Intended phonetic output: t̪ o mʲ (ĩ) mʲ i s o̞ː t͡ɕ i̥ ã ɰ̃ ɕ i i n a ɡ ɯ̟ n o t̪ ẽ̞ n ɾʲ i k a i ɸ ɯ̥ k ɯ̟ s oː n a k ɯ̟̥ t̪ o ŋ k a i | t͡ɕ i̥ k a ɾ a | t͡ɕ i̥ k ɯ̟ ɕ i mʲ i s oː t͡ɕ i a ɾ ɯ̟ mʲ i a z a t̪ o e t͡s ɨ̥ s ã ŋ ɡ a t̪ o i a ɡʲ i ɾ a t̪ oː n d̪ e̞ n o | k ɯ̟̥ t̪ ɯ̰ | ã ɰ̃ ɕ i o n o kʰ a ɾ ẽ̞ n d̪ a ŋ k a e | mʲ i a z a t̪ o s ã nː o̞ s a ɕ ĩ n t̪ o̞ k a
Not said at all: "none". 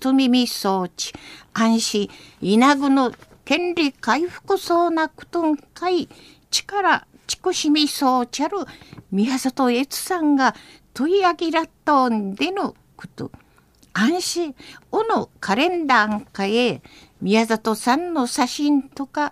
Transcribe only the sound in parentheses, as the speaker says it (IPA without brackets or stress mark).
i